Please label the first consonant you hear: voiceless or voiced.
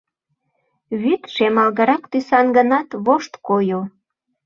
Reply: voiced